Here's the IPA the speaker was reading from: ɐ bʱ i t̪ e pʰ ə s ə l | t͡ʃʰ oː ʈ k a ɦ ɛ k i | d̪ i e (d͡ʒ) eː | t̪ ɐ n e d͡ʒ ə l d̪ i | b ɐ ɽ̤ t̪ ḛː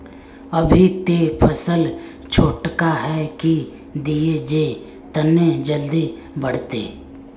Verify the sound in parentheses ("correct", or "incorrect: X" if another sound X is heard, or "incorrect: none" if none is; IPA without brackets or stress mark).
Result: correct